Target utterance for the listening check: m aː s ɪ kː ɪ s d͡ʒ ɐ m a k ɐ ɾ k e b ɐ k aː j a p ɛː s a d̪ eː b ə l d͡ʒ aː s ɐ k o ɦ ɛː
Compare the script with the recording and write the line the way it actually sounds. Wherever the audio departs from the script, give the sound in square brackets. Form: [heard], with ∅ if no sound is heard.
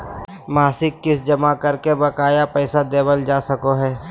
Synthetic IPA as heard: m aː s ɪ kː ɪ s d͡ʒ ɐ m a k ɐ ɾ k e b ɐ k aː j a p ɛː s a d̪ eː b ə l d͡ʒ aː s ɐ k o ɦ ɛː